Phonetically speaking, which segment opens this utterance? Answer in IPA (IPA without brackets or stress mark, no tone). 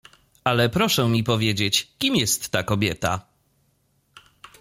a